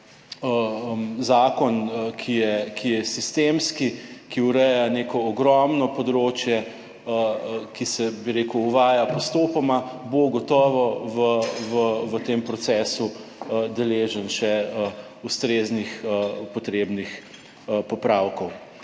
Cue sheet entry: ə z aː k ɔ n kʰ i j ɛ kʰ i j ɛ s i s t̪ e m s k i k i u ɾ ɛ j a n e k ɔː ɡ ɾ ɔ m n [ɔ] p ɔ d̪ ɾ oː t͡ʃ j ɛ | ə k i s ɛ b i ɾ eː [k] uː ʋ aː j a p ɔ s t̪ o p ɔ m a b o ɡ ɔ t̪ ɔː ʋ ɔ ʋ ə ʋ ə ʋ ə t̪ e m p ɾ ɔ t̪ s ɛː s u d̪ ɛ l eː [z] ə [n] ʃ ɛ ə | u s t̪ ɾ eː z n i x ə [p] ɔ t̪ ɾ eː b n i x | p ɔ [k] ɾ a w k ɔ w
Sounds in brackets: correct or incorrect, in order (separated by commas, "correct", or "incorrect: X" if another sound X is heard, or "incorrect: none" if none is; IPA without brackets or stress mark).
correct, correct, incorrect: ʒ, correct, correct, incorrect: p